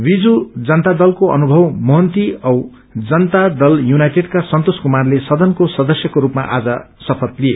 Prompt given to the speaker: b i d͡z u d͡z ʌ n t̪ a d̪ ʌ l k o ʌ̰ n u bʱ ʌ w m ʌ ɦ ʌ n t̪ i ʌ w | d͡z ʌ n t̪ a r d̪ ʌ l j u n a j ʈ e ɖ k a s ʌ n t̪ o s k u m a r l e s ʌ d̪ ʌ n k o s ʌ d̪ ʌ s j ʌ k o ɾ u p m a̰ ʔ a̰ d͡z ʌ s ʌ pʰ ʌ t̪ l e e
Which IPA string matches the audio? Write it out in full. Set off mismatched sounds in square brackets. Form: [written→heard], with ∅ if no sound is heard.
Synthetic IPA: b i d͡z u d͡z ʌ n t̪ a d̪ ʌ l k o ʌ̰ n u bʱ ʌ w m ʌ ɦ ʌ n t̪ i ʌ w | d͡z ʌ n t̪ a [r→∅] d̪ ʌ l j u n a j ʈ e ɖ k a s ʌ n t̪ o s k u m a r l e s ʌ d̪ ʌ n k o s ʌ d̪ ʌ s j ʌ k o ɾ u p m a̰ ʔ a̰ d͡z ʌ s ʌ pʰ ʌ t̪ l [e→i] e